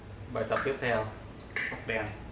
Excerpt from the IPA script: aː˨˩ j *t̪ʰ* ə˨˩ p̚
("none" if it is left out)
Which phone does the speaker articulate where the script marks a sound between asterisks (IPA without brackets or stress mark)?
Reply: t̪